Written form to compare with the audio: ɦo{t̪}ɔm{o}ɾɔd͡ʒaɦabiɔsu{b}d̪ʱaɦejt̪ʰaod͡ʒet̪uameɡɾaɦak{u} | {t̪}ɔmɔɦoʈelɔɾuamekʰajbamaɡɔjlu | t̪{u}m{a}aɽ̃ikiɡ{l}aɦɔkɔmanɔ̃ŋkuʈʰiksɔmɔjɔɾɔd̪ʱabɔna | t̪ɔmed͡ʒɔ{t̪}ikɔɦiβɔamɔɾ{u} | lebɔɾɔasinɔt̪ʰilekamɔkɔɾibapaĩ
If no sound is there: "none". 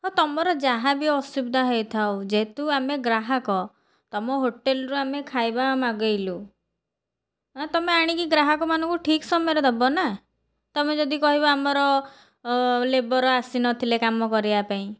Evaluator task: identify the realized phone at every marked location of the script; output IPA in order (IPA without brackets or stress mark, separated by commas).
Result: t̪, ɔ, b, ɔ, t̪, ɔ, e, ɾ, d̪, ɔ